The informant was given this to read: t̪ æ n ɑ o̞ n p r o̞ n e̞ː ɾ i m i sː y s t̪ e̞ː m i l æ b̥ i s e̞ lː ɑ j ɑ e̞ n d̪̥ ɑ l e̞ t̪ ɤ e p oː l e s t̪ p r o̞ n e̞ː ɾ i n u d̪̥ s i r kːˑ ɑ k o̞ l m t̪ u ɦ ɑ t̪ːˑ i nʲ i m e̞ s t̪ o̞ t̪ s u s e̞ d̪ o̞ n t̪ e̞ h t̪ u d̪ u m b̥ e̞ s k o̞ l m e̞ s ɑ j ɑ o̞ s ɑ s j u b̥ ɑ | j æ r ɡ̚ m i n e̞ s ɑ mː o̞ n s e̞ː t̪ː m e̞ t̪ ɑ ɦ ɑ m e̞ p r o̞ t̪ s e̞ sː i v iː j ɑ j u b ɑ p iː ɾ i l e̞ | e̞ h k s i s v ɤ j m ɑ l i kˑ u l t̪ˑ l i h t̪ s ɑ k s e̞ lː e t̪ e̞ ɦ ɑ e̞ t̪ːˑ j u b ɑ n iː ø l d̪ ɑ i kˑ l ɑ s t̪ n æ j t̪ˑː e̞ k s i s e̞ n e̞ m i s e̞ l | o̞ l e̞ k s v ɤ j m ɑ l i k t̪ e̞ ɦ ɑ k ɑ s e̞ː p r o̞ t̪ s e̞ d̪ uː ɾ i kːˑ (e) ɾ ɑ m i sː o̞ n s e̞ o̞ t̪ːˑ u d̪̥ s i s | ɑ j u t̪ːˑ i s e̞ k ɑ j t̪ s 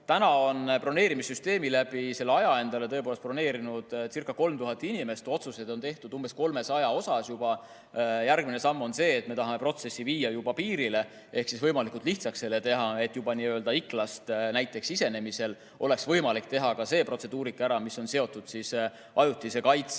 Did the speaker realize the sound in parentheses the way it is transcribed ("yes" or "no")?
no